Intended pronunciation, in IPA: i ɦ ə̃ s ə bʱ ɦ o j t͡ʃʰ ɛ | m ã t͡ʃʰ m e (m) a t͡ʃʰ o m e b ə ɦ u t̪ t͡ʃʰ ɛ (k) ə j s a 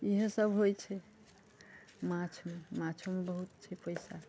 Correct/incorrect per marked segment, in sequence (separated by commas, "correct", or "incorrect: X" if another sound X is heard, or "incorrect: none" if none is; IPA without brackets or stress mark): correct, incorrect: p